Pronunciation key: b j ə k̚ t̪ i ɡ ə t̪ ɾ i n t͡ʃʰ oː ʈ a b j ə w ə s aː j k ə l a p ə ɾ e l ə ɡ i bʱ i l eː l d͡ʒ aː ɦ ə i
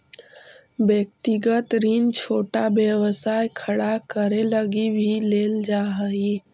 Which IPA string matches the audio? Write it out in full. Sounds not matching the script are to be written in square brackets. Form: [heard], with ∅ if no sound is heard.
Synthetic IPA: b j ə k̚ t̪ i ɡ ə t̪ ɾ i n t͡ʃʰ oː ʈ a b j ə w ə s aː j [kʰ] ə [ɽ] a [k] ə ɾ e l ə ɡ i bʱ i l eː l d͡ʒ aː ɦ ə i